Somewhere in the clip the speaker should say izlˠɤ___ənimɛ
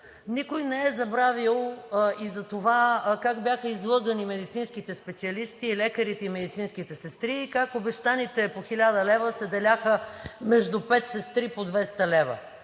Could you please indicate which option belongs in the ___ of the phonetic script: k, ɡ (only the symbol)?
ɡ